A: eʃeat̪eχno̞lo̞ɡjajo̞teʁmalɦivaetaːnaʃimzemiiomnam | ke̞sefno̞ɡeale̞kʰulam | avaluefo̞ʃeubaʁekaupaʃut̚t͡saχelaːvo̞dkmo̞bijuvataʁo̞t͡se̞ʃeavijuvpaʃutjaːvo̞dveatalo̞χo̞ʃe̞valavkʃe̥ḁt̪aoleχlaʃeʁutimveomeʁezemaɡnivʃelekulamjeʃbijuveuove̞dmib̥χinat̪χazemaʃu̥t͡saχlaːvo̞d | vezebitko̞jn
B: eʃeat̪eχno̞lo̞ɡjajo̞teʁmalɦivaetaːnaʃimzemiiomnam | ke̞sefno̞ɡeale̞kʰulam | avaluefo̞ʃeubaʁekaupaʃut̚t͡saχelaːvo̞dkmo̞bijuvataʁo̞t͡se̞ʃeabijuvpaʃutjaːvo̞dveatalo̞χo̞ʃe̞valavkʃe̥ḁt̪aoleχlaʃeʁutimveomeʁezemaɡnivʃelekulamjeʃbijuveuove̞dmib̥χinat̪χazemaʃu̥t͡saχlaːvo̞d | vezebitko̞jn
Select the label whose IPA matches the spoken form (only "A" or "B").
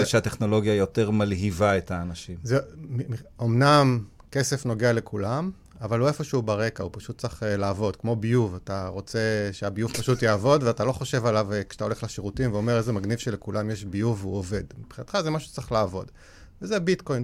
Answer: B